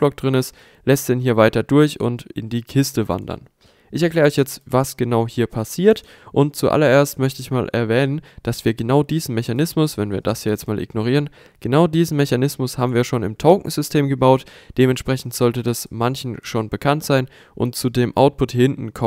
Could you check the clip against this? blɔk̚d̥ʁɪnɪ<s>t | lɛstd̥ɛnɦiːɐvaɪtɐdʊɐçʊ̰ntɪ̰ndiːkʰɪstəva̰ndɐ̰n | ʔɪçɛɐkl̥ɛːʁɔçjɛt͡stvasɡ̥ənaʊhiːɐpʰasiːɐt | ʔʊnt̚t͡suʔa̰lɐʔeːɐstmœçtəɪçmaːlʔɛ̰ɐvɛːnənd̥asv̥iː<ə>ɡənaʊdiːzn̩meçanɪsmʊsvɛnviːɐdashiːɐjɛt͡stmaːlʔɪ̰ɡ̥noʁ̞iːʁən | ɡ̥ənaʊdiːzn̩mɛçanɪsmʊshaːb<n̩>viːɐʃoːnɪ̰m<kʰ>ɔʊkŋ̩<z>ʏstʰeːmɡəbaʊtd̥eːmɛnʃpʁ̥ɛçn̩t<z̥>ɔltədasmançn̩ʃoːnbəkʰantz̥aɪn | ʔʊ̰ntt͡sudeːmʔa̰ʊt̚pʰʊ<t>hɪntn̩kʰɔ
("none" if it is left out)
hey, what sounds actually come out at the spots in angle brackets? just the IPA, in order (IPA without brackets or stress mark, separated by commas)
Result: s, ɐ, m̩, tʰ, z, z̥, t